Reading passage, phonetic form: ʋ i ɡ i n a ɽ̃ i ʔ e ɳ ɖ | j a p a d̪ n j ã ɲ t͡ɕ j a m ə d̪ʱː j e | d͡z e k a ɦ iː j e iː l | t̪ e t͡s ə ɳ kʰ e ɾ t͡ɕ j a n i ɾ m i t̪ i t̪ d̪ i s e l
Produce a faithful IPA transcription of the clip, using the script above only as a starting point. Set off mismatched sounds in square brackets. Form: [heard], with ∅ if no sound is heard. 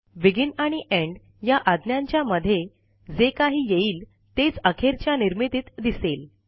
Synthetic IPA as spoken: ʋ i ɡ i n a ɽ̃ i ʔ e ɳ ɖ | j a [ʔ] a d̪ n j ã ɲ t͡ɕ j a m ə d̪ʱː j e | d͡z e k a ɦ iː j e iː l | t̪ e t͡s ə [∅] kʰ e ɾ t͡ɕ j a n i ɾ m i t̪ i t̪ d̪ i s e l